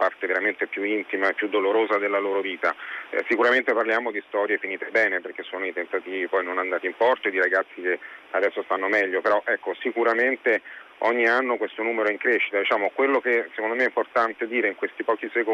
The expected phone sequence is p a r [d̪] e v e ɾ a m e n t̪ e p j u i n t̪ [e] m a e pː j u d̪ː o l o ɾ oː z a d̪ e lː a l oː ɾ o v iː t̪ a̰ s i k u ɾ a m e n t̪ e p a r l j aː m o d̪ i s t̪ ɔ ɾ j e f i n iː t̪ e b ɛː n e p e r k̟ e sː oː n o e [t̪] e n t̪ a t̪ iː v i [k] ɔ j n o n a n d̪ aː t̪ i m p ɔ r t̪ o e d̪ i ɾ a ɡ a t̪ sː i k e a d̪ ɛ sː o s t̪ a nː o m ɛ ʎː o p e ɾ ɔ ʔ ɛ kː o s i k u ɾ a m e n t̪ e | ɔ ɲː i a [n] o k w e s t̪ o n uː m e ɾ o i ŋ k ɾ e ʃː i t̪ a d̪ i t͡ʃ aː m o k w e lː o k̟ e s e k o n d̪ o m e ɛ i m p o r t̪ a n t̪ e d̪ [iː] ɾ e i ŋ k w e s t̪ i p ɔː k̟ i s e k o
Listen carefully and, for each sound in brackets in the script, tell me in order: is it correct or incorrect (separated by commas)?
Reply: incorrect, incorrect, correct, incorrect, incorrect, correct